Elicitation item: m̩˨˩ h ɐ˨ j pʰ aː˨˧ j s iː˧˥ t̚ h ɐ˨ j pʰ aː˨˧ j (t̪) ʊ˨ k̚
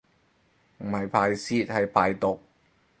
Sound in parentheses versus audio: correct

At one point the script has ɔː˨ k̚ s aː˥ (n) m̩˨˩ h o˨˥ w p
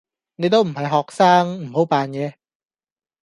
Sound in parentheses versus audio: incorrect: ŋ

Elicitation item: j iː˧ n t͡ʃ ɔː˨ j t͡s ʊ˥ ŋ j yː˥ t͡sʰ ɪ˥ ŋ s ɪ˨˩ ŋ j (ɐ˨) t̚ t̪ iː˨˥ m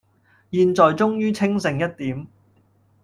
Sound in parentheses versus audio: incorrect: ɐ˥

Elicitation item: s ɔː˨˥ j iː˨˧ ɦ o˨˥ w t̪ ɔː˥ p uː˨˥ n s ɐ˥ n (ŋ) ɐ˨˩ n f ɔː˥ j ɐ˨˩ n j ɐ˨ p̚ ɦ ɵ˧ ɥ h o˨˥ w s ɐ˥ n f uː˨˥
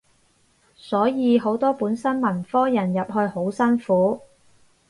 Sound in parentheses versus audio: incorrect: m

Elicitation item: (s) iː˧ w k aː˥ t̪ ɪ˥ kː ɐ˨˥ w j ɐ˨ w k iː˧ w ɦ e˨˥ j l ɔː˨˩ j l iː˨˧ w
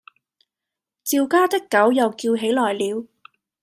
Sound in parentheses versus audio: incorrect: t͡s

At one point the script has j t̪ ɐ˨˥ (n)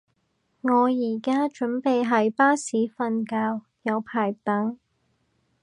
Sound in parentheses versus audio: incorrect: ŋ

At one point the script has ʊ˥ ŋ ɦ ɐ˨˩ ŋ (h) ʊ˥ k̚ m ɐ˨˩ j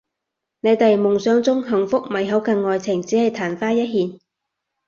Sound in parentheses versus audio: incorrect: f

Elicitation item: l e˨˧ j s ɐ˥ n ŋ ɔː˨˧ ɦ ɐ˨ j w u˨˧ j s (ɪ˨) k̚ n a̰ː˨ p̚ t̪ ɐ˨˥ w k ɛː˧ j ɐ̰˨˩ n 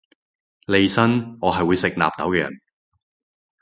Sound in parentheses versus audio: correct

